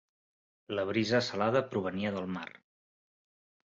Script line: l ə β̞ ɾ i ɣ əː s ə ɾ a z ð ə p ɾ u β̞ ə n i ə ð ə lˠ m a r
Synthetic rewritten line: l ə β̞ ɾ i z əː s ə l a ð ə p ɾ u β̞ ə n i ə ð ə lˠ m a r